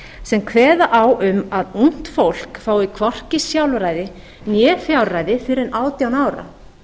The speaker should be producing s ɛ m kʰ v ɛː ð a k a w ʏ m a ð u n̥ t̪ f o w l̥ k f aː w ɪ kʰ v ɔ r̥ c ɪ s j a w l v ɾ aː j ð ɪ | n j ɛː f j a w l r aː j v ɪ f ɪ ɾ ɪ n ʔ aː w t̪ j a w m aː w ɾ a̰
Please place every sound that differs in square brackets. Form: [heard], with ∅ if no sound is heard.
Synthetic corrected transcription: s ɛ m kʰ v ɛː ð a [ʔ] a w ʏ m a ð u n̥ t̪ f o w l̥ k f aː w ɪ kʰ v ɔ r̥ c ɪ s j a w l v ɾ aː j ð ɪ | n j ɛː f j a w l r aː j [ð] ɪ f ɪ ɾ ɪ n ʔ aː w t̪ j a w [n] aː w ɾ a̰

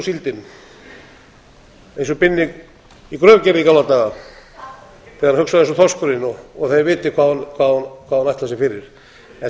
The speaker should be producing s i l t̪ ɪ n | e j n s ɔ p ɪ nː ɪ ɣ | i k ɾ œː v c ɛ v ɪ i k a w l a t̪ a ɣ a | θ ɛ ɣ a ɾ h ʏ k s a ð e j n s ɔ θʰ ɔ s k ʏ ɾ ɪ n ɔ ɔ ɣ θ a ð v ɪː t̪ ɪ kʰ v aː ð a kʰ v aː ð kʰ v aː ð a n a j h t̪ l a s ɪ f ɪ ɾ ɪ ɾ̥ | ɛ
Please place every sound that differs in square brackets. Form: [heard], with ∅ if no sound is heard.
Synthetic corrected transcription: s i l t̪ ɪ n | e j n s ɔ p ɪ nː ɪ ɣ | i k ɾ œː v c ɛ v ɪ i k a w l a t̪ a ɣ a | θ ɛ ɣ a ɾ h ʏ k s a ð e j n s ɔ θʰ ɔ s k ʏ ɾ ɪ n ɔ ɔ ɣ θ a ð v ɪː t̪ ɪ kʰ v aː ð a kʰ v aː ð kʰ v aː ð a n a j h t̪ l a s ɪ f ɪ ɾ ɪ ɾ̥ | ɛ

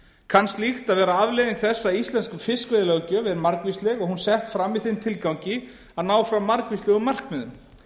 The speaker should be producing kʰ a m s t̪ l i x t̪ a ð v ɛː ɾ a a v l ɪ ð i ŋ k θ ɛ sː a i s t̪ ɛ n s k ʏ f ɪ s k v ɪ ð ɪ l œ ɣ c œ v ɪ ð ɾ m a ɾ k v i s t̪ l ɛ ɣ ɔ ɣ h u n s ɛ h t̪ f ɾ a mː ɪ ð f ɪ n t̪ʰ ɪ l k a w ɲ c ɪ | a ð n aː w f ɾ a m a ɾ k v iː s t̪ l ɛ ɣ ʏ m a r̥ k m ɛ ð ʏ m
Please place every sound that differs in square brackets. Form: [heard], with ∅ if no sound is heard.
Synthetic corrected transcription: kʰ a [n] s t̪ l i x t̪ a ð v ɛː ɾ a a v l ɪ ð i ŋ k θ ɛ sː a i s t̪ ɛ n s k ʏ f ɪ s k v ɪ ð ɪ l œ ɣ c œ v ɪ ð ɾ m a ɾ k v i s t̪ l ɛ ɣ ɔ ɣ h u n s ɛ h t̪ f ɾ a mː ɪ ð [θ] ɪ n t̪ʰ ɪ l k a w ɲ c ɪ | a ð n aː w f ɾ a m a ɾ k v [i] s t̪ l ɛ ɣ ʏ m a r̥ k m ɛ ð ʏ m

